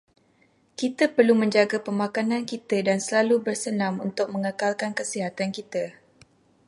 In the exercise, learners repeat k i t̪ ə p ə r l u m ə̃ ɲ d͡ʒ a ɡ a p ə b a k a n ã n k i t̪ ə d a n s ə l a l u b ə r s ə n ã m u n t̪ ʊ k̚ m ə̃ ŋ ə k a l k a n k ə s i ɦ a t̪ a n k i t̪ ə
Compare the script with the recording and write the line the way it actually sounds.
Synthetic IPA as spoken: k i t̪ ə p ə r l u m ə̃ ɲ d͡ʒ a ɡ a p ə m a k a n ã n k i t̪ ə d a n s ə l a l u b ə r s ə n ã m u n t̪ ʊ k̚ m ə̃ ŋ ə k a l k a n k ə s i ɦ a t̪ a n k i t̪ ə